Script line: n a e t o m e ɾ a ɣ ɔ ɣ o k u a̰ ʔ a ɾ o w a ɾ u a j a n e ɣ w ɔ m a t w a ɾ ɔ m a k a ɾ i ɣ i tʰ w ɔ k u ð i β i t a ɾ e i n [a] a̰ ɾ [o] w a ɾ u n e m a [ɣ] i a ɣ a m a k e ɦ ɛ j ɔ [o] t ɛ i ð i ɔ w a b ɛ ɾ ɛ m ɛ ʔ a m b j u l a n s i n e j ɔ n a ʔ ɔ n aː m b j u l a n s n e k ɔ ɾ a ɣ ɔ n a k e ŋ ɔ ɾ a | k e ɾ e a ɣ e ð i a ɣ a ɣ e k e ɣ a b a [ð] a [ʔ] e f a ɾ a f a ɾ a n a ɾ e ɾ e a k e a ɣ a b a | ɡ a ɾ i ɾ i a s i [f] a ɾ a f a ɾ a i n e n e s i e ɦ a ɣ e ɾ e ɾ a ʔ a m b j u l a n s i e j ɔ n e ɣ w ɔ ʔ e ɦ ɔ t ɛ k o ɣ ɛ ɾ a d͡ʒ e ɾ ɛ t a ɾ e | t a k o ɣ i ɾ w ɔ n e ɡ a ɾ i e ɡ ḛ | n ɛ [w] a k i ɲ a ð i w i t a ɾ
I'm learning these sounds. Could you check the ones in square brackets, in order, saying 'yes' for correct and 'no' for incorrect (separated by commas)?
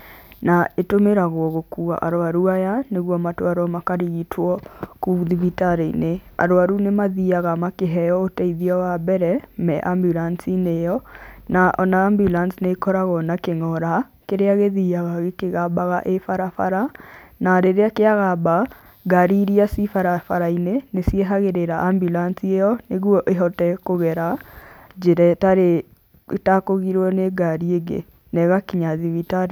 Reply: no, yes, no, yes, no, yes, yes, no